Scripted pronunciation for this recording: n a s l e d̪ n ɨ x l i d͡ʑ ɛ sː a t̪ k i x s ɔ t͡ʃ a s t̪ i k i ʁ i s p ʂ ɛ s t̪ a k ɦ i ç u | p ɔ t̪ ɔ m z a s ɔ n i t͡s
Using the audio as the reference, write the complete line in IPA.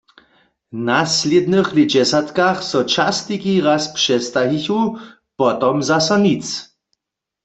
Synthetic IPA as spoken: n a s l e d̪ n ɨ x l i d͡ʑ ɛ s a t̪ k a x s ɔ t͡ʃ a s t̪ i k i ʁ a s p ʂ ɛ s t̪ a ɦ i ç u | p ɔ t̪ ɔ m z a s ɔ n i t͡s